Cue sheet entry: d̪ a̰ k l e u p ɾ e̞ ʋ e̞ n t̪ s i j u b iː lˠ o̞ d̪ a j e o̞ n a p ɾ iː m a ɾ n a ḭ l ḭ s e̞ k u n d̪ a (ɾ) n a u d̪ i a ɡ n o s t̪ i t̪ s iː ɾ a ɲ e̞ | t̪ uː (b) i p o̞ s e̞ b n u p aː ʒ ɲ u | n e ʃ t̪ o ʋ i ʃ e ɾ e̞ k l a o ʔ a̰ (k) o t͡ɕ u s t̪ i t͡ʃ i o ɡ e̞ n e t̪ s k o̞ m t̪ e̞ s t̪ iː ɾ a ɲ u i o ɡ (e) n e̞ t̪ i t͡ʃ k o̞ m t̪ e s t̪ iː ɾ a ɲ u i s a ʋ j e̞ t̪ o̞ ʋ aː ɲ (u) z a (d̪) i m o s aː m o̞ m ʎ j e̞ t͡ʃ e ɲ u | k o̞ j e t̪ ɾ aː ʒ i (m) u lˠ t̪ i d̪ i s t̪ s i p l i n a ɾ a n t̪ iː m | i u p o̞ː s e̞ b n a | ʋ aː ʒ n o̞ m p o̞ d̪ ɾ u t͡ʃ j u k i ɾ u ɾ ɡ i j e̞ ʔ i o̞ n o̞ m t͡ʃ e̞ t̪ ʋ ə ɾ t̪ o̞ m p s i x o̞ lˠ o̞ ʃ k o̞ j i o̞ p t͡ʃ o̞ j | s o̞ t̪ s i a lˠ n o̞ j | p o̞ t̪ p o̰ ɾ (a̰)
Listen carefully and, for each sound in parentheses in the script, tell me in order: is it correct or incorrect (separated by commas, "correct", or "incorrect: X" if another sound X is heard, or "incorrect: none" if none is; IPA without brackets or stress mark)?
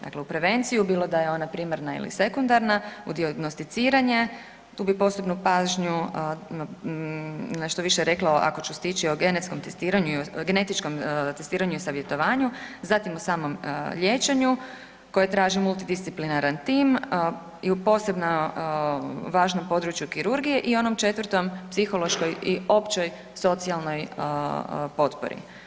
correct, correct, correct, correct, correct, incorrect: t̪, correct, incorrect: ḭ